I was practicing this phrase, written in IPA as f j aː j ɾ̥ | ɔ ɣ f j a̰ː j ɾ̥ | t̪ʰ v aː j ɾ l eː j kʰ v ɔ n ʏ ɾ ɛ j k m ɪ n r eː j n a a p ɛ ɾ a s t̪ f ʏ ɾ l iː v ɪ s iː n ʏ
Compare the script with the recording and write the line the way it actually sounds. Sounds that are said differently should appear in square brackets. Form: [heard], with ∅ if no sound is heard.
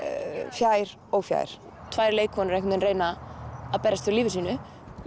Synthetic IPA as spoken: f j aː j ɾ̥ | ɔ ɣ f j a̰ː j ɾ̥ | t̪ʰ v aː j ɾ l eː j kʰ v ɔ n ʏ ɾ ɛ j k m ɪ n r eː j n a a p ɛ ɾ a s t̪ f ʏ ɾ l iː v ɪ s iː n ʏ